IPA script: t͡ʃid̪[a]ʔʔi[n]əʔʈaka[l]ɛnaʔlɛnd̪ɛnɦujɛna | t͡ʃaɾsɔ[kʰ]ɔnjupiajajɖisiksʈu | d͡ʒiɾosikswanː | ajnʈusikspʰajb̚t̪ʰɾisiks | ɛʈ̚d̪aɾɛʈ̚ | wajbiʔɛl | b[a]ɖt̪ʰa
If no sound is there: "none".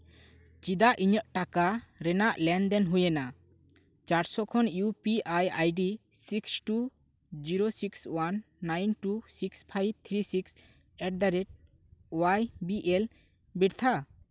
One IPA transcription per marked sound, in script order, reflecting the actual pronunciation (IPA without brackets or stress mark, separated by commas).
a, ɲ, ɾ, kʰ, i